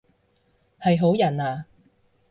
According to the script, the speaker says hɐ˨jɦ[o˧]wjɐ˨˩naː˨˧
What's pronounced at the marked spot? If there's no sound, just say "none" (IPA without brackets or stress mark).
o˨˥